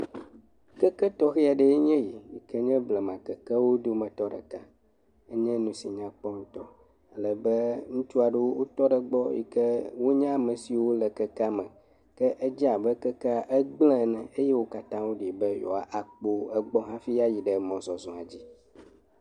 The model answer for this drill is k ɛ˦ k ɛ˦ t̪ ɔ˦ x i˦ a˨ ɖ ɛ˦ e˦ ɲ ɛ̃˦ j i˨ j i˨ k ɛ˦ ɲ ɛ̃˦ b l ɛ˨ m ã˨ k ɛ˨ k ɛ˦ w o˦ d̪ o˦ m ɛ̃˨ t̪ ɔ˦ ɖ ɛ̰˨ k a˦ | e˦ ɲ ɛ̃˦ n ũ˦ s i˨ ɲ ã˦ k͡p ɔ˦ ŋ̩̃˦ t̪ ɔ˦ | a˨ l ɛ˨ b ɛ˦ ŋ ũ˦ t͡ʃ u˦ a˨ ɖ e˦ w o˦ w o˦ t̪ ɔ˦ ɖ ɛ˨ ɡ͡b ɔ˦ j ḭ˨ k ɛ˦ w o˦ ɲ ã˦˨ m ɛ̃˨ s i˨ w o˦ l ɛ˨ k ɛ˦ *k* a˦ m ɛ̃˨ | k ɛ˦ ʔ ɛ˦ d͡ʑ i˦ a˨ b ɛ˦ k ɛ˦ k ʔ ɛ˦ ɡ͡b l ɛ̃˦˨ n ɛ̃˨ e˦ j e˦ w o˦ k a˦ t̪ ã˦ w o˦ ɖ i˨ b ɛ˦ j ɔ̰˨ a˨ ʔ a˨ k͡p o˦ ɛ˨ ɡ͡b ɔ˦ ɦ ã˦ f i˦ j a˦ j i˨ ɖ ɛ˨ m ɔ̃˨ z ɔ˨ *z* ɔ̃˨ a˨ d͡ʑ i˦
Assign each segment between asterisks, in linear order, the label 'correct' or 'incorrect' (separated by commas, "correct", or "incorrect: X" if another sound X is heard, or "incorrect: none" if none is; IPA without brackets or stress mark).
correct, correct